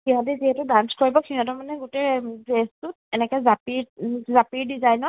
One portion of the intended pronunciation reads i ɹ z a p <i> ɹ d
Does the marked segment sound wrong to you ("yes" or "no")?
no